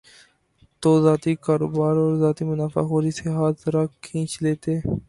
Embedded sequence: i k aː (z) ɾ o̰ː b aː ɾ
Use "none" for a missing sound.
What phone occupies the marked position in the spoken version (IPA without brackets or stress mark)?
none